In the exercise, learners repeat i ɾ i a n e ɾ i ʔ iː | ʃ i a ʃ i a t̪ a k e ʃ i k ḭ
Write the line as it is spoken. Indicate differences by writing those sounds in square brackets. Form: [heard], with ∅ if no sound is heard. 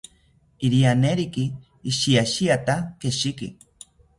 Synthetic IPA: i ɾ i a n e ɾ i [k] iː | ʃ i a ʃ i a t̪ a k e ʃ i k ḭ